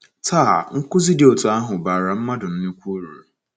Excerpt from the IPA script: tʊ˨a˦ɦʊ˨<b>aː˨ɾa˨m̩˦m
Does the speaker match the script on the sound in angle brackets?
yes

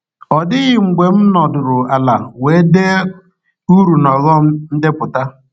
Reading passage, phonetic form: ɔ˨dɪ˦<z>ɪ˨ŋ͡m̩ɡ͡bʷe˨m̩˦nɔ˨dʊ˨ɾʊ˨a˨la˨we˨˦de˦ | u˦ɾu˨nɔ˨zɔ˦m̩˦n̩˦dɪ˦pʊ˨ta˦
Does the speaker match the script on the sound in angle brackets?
no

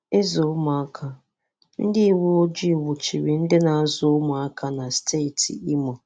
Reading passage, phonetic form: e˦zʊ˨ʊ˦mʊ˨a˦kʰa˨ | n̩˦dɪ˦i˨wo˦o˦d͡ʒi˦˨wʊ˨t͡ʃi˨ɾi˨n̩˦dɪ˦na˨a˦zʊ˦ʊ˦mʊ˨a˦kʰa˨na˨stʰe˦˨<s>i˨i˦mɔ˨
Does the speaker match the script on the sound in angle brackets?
no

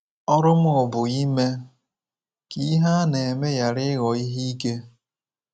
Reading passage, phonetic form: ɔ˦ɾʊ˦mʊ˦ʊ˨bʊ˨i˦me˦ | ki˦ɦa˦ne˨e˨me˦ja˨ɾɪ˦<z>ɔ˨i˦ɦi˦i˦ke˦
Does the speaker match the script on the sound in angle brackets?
no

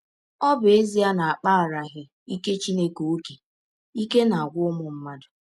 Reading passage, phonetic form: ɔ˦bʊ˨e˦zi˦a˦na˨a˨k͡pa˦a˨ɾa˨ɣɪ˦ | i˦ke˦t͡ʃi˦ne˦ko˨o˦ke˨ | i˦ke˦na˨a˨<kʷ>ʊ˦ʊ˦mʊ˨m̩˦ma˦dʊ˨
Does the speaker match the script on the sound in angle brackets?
no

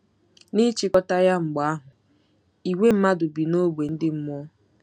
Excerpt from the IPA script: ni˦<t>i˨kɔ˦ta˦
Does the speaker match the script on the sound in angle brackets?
no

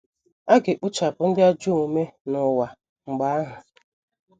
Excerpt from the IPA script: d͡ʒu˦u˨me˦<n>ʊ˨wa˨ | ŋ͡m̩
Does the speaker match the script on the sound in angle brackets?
yes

